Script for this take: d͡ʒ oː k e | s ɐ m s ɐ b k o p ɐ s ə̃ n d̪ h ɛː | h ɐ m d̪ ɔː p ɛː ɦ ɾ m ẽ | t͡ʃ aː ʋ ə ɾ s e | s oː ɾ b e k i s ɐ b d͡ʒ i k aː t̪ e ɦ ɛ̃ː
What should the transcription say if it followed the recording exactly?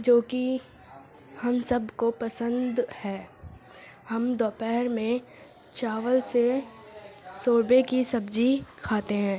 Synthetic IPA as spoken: d͡ʒ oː k i | h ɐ m s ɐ b k o p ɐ s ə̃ n d̪ h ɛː | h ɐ m d̪ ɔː p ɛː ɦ ɾ m ẽ | t͡ʃ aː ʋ ə l s e | s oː ɾ b e k i s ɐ b d͡ʒ i kʰ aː t̪ e ɦ ɛ̃ː

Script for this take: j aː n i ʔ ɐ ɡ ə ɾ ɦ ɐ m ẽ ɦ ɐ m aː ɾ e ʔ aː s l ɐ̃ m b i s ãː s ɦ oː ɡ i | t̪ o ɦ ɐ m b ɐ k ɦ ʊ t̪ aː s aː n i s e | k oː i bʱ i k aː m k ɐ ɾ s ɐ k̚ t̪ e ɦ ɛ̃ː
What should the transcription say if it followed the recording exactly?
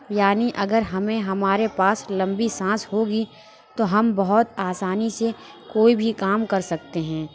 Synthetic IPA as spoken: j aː n i ʔ ɐ ɡ ə ɾ ɦ ɐ m ẽ ɦ ɐ m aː ɾ e p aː s l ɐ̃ m b i s ãː s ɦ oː ɡ i | t̪ o ɦ ɐ m b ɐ ɦ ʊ t̪ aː s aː n i s e | k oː i bʱ i k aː m k ɐ ɾ s ɐ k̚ t̪ e ɦ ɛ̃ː

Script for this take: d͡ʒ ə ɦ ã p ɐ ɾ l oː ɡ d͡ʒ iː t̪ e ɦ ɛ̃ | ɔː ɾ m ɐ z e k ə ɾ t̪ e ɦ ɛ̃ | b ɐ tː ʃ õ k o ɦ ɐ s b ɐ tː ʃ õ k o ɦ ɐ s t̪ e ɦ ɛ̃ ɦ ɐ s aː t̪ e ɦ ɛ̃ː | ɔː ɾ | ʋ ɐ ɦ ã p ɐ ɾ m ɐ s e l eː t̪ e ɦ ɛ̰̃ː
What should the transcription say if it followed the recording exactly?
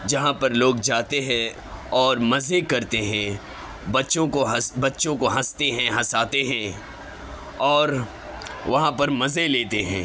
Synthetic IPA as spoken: d͡ʒ ɐ ɦ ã p ɐ ɾ l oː ɡ d͡ʒ aː t̪ e ɦ ɛ̃ | ɔː ɾ m ɐ z e k ɐ ɾ t̪ e ɦ ɛ̃ | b ɐ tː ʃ õ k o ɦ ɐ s b ɐ tː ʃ õ k o ɦ ɐ s t̪ e ɦ ɛ̃ ɦ ɐ s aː t̪ e ɦ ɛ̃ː | ɔː ɾ | ʋ ɐ ɦ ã p ɐ ɾ m ɐ z e l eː t̪ e ɦ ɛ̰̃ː

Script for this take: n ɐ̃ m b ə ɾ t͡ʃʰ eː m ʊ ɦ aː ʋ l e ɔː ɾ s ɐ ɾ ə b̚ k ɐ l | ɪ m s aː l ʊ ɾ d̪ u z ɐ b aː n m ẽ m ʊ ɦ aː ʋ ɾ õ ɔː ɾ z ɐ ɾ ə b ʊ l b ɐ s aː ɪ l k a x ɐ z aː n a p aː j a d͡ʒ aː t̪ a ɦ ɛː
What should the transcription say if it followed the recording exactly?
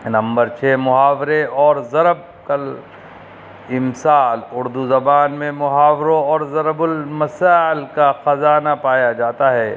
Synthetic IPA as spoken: n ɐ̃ m b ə ɾ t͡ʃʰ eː m ʊ ɦ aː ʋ ɾ e ɔː ɾ z ɐ ɾ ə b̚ k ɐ l | ɪ m s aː l ʊ ɾ d̪ u z ɐ b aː n m ẽ m ʊ ɦ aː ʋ ɾ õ ɔː ɾ z ɐ ɾ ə b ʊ l m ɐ s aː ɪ l k a x ɐ z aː n a p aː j a d͡ʒ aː t̪ a ɦ ɛː

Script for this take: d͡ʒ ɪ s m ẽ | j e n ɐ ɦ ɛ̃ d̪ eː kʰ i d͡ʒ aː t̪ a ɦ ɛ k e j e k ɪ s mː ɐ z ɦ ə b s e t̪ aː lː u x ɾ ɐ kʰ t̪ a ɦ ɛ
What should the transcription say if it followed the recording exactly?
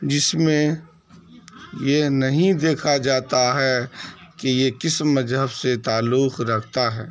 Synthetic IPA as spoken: d͡ʒ ɪ s m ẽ | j e n ɐ ɦ ĩ d̪ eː kʰ a d͡ʒ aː t̪ a ɦ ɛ k e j e k ɪ s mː ɐ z ɦ ə b s e t̪ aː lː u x ɾ ɐ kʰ t̪ a ɦ ɛː

